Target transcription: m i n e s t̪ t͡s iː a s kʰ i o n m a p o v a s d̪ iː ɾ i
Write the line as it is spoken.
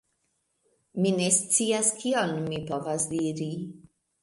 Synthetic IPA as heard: m i n e s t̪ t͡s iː a s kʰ i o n m i p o v a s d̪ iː ɾ i